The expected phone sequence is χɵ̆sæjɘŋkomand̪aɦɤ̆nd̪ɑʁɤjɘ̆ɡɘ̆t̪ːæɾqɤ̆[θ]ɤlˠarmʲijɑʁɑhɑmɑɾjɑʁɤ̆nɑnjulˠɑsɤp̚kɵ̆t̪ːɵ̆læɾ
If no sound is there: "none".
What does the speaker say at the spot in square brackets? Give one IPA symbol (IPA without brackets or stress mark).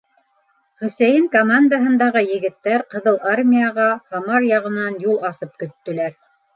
ð